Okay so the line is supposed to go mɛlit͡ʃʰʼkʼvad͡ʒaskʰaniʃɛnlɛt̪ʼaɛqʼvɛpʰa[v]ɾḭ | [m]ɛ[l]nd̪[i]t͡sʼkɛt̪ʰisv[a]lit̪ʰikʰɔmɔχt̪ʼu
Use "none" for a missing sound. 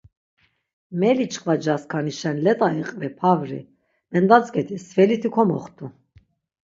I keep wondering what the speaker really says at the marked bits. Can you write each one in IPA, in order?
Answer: v, m, none, a, ɛ

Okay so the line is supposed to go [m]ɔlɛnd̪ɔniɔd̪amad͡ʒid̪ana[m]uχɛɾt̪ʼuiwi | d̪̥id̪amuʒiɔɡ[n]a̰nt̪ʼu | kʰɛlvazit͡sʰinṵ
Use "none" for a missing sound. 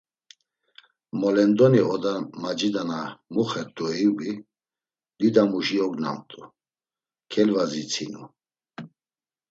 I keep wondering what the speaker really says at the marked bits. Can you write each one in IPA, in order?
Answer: m, m, n

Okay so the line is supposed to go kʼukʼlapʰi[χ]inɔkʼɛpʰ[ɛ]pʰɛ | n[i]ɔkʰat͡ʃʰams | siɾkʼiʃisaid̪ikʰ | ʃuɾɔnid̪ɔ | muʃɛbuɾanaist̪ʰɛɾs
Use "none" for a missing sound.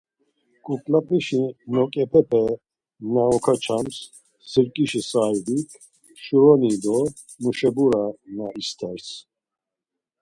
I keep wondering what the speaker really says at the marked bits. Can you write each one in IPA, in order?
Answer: ʃ, ɛ, a

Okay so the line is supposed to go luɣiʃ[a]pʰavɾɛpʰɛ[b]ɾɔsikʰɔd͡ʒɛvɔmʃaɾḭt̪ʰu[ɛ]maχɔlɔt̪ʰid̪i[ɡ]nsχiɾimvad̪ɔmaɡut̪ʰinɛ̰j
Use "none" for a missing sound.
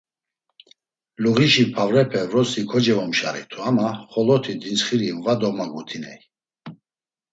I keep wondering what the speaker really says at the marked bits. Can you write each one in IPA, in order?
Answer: i, v, a, none

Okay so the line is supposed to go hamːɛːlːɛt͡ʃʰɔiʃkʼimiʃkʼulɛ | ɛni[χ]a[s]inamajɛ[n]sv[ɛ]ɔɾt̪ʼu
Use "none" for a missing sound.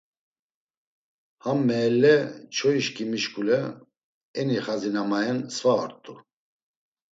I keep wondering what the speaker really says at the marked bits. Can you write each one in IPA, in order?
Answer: χ, z, n, a

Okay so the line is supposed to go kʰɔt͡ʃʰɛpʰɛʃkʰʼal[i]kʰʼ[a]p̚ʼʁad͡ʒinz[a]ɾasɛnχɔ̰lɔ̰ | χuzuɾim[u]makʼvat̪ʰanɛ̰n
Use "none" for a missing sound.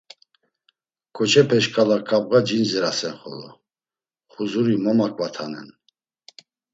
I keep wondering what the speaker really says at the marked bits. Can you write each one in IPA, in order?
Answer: a, a, ɛ, ɔ

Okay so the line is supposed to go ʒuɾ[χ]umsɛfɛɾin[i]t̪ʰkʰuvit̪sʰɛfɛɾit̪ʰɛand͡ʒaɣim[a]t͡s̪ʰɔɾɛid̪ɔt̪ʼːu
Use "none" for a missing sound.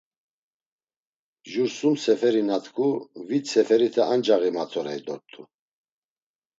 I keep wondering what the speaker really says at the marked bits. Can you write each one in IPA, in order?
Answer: s, a, a

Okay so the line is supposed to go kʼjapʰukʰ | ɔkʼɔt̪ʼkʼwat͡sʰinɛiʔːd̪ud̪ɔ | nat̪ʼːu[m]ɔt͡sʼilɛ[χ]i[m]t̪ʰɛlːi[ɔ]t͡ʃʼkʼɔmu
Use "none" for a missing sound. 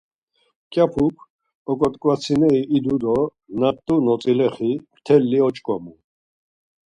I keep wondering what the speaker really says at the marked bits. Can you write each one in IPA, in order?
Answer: n, χ, m, ɔ

